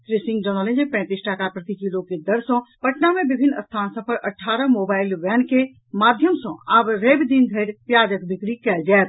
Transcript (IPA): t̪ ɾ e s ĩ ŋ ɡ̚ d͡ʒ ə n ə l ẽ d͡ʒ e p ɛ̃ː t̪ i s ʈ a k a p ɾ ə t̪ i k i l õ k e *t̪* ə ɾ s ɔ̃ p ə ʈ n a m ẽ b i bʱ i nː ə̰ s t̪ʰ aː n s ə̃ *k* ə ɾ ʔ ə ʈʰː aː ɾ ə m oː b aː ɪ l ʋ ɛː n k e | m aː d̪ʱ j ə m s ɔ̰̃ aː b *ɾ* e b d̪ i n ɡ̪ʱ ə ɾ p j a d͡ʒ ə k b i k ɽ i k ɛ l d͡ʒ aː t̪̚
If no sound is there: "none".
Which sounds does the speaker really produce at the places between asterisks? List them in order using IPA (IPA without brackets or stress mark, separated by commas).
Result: d̪, p, ɾ